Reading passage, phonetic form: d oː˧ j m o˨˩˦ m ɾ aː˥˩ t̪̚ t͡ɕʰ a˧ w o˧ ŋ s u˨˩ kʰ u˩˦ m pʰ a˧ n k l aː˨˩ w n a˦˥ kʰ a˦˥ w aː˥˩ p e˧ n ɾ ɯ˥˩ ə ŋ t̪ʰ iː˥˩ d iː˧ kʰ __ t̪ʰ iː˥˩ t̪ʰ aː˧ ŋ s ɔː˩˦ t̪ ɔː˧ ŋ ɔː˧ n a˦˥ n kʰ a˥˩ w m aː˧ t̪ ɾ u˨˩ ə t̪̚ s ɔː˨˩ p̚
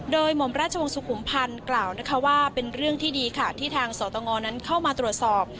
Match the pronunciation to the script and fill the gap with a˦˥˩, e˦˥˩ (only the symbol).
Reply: a˦˥˩